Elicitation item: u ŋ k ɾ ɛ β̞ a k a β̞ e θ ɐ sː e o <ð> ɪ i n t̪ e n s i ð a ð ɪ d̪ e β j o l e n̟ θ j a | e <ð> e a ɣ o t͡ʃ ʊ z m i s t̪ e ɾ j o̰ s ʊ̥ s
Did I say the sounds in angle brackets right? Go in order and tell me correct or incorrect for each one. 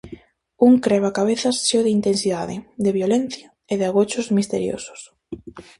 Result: correct, correct

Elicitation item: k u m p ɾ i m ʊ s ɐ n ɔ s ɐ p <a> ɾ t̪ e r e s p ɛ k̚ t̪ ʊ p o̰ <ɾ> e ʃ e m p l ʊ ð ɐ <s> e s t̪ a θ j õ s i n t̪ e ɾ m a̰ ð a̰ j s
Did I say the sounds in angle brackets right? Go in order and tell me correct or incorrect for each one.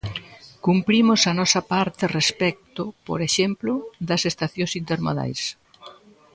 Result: correct, correct, correct

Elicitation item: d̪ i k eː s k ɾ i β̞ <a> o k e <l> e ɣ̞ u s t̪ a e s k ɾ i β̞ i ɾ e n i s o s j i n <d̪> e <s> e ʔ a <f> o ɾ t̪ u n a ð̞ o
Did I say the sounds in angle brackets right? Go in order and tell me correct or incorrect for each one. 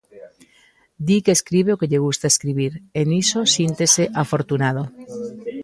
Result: incorrect: e, incorrect: ʎ, incorrect: t̪, correct, correct

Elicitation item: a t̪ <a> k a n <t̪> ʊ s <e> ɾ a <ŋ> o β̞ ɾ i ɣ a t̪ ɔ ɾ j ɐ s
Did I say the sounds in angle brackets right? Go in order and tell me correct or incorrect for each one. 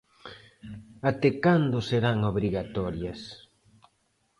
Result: incorrect: e, incorrect: d̪, correct, correct

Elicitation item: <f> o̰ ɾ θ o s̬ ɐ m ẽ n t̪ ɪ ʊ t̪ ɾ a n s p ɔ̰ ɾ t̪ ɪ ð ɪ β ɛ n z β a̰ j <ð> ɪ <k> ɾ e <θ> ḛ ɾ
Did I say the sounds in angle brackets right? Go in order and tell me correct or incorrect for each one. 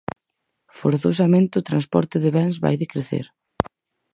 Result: correct, correct, correct, correct

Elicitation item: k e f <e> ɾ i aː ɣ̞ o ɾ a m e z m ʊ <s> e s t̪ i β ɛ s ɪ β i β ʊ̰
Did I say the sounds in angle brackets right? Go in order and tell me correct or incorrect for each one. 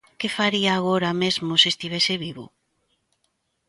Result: incorrect: a, correct

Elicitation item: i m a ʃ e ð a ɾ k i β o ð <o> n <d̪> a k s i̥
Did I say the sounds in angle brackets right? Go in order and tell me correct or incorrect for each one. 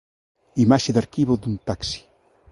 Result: incorrect: u, incorrect: t̪

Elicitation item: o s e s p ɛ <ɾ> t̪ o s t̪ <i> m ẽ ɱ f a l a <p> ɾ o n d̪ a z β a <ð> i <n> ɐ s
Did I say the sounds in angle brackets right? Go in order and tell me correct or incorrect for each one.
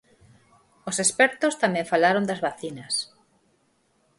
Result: correct, incorrect: a, incorrect: none, incorrect: θ, correct

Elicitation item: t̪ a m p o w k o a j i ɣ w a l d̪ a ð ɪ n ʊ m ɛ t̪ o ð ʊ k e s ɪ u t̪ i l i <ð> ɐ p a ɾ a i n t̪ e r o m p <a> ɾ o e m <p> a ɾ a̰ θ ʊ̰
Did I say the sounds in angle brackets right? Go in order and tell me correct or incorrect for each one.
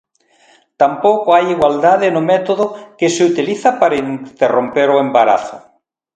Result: incorrect: θ, incorrect: e, incorrect: b

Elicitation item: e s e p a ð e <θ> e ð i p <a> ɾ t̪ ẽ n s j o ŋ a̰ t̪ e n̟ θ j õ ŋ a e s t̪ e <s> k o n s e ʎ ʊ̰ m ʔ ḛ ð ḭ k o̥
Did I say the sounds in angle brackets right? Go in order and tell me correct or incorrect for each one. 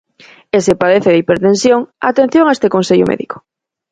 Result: correct, incorrect: e, incorrect: none

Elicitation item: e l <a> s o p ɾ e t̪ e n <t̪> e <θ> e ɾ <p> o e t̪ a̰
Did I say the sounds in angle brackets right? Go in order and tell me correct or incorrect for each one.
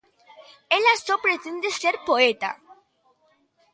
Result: correct, incorrect: d̪, incorrect: s, correct

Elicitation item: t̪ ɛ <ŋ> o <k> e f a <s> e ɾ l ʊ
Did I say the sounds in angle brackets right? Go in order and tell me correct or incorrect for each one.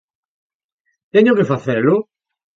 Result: incorrect: ɲ, correct, incorrect: θ

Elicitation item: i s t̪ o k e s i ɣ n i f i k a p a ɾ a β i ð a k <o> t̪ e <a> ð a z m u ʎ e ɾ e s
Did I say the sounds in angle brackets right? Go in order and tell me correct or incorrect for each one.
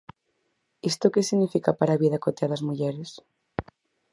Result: correct, correct

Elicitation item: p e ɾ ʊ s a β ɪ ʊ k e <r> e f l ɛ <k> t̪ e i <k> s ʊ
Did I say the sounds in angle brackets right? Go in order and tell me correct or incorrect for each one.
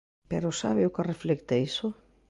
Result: correct, correct, incorrect: none

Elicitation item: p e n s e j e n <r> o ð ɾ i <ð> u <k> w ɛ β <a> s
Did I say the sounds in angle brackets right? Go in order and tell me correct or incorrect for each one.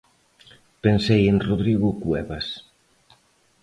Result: correct, incorrect: ɣ, correct, correct

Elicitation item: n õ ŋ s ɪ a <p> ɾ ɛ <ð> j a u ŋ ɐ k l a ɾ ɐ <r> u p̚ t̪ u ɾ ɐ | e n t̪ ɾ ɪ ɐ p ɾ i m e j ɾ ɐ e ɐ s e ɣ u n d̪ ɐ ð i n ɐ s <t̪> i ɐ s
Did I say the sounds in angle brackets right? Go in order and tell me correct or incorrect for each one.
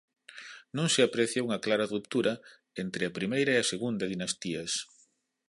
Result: correct, incorrect: θ, correct, correct

